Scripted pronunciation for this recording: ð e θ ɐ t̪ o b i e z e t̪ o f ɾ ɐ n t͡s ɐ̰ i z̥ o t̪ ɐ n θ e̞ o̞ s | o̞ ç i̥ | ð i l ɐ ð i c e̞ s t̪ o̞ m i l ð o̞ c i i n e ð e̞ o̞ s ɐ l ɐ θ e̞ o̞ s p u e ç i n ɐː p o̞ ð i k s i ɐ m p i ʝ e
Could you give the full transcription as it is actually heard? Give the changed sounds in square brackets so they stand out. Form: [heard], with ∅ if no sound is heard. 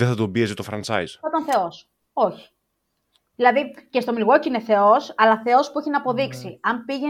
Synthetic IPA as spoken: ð e θ ɐ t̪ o b i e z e t̪ o f ɾ ɐ n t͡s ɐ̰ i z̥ o t̪ ɐ n θ e̞ o̞ s | o̞ ç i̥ | ð i l ɐ ð i c e̞ s t̪ o̞ m i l [ɣ] o̞ c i i n e [θ] e̞ o̞ s ɐ l ɐ θ e̞ o̞ s p u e ç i n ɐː p o̞ ð i k s i ɐ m p i ʝ e